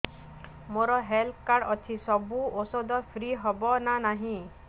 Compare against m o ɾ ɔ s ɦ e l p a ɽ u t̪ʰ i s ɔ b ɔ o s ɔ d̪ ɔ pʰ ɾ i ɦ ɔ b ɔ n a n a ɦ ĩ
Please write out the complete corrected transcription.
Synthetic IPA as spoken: m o ɾ ɔ ɦ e l k a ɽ ɔ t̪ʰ i s ɔ b u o s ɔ d̪ ɔ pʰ ɾ i ɦ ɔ b ɔ n a n a ɦ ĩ